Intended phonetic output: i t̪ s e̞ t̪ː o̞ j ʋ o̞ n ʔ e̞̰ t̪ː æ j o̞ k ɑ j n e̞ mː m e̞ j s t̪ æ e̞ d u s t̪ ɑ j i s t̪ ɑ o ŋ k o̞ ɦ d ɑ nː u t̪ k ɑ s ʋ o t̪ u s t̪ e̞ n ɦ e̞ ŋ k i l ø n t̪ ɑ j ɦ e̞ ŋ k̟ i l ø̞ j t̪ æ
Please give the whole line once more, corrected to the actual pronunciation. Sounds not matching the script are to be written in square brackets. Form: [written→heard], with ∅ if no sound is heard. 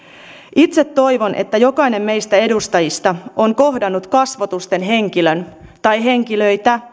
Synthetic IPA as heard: i t̪ s e̞ t̪ː o̞ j ʋ o̞ n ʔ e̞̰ t̪ː æ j o̞ k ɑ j n e̞ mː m e̞ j s t̪ æ e̞ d u s t̪ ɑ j i s t̪ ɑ o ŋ k o̞ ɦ d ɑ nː u t̪ k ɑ s ʋ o t̪ u s t̪ e̞ n ɦ e̞ ŋ k i l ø n t̪ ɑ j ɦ e̞ ŋ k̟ i l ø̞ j t̪ æ